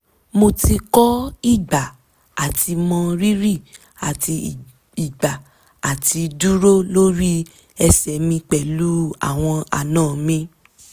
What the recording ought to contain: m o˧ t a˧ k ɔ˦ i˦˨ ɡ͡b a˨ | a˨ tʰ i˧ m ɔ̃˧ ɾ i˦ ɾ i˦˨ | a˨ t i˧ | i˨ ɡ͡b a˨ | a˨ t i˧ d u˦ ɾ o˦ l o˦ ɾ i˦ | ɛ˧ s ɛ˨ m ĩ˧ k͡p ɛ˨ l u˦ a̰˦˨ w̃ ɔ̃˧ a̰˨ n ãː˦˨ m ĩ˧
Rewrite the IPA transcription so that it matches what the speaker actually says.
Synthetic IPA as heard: m o˧ t i˧ k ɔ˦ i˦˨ ɡ͡b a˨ | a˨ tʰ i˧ m ɔ̃˧ ɾ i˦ ɾ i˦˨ | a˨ t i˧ | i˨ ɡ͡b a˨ | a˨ t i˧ d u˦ ɾ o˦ l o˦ ɾ i˦ | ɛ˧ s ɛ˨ m ĩ˧ k͡p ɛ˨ l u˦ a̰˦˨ w̃ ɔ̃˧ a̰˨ n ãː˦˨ m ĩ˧